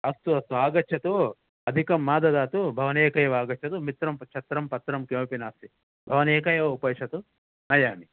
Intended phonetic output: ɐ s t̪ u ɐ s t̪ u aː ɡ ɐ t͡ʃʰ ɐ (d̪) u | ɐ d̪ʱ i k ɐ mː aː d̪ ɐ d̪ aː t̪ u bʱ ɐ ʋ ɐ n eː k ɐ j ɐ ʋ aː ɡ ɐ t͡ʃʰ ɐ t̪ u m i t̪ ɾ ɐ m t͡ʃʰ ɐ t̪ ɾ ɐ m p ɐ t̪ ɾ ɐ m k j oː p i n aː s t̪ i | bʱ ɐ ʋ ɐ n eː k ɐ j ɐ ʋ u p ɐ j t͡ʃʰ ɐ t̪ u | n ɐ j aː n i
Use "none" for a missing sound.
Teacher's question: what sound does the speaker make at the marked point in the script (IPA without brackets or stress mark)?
t̪